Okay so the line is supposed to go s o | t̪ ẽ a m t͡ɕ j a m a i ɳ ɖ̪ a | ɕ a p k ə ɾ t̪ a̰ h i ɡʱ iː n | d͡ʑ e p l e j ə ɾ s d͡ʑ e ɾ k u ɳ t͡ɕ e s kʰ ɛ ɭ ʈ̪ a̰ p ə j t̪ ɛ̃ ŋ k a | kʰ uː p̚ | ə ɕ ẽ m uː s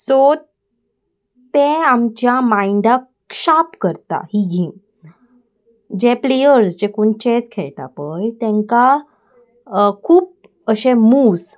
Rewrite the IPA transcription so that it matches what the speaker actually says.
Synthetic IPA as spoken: s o | t̪ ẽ a m t͡ɕ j a m a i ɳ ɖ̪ a | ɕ a p k ə ɾ t̪ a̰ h i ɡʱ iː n | d͡ʑ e p l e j ə ɾ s d͡ʑ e k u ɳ t͡ɕ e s kʰ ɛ ɭ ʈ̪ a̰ p ə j t̪ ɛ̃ ŋ k a | kʰ uː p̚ | ə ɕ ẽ m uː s